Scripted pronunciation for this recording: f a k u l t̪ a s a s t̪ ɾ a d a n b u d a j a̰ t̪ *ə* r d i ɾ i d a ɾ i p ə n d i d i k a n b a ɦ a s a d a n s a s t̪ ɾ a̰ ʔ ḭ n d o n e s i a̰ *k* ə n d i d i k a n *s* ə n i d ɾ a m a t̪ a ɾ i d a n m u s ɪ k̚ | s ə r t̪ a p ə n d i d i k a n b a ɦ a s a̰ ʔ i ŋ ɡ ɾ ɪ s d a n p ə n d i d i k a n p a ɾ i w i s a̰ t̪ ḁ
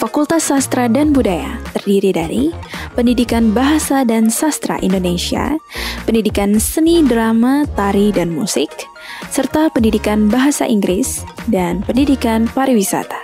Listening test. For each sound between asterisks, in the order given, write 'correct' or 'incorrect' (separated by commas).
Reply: correct, incorrect, correct